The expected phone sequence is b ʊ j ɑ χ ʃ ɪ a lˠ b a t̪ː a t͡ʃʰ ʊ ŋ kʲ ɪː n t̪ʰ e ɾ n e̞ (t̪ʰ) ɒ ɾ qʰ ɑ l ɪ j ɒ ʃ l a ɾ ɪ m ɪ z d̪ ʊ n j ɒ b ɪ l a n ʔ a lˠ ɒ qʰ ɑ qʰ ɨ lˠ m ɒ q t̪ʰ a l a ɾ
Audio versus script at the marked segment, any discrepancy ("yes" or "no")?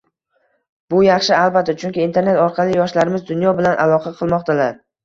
yes